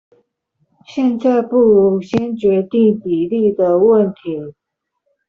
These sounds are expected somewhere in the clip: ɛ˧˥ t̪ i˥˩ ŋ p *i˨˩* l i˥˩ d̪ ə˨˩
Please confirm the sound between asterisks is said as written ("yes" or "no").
yes